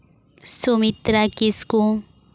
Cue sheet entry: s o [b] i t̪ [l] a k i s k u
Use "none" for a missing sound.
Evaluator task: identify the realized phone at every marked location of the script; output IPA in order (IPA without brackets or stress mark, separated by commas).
m, ɾ